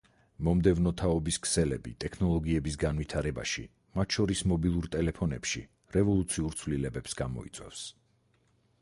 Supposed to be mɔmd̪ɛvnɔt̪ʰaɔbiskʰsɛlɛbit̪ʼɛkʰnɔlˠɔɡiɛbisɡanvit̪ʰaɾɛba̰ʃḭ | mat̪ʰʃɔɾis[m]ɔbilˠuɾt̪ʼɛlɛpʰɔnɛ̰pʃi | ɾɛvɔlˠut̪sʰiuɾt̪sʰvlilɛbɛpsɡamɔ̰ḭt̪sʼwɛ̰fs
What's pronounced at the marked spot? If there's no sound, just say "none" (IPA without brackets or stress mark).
m